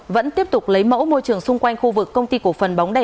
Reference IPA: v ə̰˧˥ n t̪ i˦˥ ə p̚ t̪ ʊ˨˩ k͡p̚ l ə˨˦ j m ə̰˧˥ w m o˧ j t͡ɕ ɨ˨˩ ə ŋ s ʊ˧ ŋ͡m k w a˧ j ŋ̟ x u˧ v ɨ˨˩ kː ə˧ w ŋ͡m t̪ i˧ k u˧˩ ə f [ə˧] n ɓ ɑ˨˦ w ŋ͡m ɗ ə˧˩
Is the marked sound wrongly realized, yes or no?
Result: yes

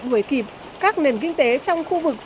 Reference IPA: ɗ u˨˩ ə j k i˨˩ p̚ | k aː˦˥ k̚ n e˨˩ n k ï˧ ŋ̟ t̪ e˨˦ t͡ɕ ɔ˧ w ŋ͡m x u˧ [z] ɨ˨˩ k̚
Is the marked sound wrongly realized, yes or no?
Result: yes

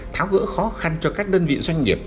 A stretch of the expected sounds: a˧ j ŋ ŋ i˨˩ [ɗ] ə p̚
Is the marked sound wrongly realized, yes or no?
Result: yes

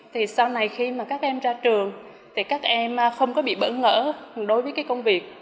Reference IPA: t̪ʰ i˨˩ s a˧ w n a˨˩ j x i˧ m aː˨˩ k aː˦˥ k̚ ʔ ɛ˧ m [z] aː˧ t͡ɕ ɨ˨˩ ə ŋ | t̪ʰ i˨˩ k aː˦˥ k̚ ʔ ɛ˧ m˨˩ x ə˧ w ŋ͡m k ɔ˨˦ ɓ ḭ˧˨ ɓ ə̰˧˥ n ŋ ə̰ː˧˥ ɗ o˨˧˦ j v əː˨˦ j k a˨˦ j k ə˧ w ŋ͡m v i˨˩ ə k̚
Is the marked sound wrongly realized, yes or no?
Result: no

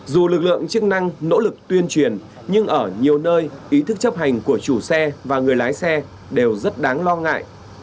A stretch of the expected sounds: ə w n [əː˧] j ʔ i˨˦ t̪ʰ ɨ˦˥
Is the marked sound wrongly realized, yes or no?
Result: no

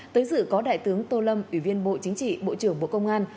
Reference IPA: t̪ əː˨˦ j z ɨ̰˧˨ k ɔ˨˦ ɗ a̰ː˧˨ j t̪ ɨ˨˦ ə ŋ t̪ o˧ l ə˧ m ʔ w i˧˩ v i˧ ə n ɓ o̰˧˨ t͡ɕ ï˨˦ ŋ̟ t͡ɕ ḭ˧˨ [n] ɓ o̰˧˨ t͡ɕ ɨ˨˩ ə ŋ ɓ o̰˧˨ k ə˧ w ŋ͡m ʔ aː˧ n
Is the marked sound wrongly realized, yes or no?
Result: yes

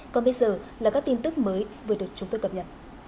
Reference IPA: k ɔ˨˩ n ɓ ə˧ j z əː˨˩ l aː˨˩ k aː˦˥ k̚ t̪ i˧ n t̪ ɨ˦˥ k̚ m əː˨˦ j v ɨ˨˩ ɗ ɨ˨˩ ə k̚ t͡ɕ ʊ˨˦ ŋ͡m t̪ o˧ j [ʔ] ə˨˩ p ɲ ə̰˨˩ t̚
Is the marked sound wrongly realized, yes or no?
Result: yes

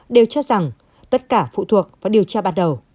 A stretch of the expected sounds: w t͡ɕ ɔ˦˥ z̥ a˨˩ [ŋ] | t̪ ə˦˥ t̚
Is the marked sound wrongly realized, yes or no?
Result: no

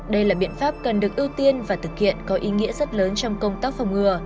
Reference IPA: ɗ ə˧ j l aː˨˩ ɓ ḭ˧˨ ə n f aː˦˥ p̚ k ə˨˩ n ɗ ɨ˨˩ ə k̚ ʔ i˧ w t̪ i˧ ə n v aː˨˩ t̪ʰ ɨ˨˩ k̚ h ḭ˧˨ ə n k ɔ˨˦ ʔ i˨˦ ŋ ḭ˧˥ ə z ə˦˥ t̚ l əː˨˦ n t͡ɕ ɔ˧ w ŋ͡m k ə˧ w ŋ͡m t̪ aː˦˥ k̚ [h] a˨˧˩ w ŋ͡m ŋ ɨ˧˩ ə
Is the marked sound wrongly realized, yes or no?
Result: yes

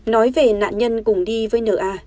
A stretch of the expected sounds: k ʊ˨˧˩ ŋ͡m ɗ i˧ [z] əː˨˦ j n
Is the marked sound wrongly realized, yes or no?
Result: yes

